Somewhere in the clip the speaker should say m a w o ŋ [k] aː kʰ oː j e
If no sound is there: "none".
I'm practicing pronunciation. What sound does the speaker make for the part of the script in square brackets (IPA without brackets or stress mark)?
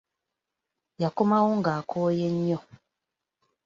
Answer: ɡ